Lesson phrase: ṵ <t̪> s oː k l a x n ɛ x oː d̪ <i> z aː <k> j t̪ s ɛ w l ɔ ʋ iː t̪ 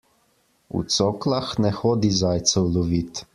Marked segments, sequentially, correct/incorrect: correct, correct, incorrect: none

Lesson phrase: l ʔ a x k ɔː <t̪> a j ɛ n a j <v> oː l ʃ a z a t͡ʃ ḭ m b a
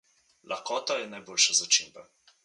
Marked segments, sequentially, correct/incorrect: correct, incorrect: b

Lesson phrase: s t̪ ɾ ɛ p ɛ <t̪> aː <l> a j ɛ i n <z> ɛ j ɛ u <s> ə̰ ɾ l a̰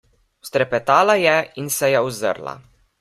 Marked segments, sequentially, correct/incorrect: correct, correct, incorrect: s, incorrect: z

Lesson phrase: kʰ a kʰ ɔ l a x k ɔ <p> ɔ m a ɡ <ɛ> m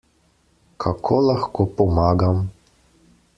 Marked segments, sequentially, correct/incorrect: correct, incorrect: a

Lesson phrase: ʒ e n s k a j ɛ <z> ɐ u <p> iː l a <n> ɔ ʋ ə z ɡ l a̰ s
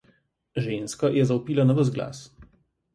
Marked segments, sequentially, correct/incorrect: correct, correct, correct

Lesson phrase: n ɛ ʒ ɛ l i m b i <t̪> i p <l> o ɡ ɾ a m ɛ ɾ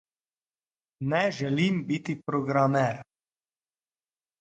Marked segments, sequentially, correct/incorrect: correct, incorrect: ɾ

